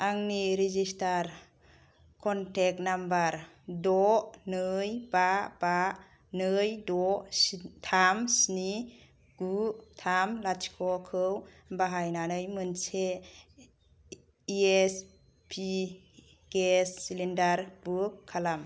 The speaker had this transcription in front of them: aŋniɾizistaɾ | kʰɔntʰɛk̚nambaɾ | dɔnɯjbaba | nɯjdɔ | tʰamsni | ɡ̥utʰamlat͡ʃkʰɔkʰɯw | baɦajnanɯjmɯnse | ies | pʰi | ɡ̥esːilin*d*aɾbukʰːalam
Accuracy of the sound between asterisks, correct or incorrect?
correct